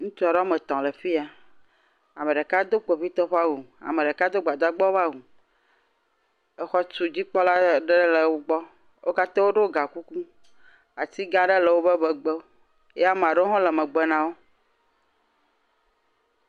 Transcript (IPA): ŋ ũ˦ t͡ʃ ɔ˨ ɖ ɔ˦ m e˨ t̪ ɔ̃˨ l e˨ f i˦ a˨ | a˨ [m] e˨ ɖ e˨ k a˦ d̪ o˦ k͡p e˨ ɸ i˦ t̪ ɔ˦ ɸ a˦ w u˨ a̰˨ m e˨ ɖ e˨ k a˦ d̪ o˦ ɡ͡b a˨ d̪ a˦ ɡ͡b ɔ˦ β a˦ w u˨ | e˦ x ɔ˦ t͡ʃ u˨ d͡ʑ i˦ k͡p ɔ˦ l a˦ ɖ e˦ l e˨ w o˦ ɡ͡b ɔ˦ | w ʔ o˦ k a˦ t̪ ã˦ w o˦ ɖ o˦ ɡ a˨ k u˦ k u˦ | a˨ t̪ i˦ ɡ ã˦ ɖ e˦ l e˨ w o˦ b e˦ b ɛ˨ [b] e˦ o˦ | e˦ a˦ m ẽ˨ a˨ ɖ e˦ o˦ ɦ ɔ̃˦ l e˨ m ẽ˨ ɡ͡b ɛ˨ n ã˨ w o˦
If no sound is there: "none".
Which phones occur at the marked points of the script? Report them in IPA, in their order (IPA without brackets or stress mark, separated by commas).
m, ɡ͡b